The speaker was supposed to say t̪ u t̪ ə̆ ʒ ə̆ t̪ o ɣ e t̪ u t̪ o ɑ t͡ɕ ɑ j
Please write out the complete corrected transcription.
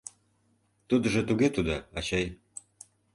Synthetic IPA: t̪ u d̪ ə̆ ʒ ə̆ t̪ u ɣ e t̪ u d̪ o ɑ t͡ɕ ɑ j